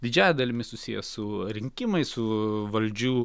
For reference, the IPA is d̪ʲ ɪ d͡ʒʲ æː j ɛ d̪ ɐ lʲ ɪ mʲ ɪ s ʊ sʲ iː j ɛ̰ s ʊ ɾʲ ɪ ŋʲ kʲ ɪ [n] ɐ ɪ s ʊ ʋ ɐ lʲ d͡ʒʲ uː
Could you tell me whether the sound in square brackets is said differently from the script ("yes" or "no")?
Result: yes